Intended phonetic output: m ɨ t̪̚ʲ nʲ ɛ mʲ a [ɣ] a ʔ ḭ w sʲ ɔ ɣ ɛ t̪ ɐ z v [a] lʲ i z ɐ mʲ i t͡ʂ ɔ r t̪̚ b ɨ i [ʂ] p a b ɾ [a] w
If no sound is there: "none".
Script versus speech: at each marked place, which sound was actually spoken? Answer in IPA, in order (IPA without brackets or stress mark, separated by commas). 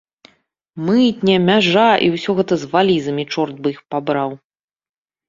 ʐ, a, x, a